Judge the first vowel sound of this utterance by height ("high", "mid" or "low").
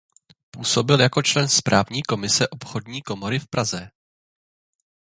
high